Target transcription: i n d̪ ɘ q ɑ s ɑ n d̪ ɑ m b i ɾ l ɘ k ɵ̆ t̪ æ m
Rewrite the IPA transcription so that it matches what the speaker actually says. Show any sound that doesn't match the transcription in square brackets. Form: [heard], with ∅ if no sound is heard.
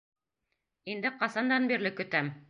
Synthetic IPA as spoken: i n d̪ ɘ q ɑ s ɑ n d̪ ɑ [n] b i ɾ l ɘ k ɵ̆ t̪ æ m